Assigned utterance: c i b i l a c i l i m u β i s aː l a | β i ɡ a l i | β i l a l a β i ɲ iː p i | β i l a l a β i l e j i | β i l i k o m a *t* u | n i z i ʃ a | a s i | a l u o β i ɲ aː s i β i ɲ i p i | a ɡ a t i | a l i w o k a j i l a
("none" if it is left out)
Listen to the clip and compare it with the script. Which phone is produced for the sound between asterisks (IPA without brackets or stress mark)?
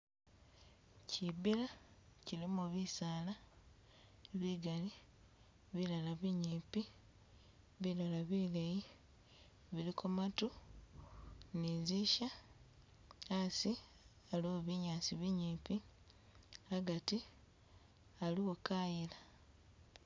t